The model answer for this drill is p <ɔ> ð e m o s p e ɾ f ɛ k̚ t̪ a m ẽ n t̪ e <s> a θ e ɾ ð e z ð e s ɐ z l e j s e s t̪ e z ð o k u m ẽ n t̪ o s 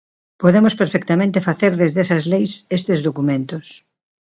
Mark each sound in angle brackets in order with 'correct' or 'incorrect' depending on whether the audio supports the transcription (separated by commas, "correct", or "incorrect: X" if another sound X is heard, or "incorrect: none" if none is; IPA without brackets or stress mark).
incorrect: o, incorrect: f